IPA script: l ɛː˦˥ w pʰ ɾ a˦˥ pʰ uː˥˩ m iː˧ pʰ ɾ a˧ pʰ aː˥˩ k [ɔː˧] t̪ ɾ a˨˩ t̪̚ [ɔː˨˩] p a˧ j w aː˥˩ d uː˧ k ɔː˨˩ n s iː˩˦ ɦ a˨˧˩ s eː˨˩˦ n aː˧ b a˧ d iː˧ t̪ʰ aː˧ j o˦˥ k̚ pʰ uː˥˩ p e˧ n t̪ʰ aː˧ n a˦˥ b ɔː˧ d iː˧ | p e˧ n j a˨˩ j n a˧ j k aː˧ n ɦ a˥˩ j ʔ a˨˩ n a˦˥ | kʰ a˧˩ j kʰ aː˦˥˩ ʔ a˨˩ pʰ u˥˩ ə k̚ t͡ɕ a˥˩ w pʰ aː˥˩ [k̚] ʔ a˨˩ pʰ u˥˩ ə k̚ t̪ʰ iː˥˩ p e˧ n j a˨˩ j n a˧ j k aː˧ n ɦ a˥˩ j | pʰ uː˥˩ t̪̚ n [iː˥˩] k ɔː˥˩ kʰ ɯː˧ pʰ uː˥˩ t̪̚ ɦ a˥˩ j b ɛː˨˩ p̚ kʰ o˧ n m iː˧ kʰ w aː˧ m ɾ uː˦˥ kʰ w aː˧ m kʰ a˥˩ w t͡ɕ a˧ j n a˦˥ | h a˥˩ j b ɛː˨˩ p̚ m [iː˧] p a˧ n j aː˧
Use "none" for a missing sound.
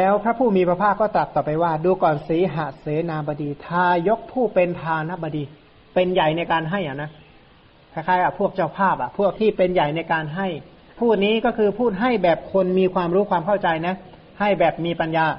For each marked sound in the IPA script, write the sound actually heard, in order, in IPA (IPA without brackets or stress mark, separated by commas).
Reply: ɔː˥˩, ɔː˨˩, p̚, iː˦˥, iː˧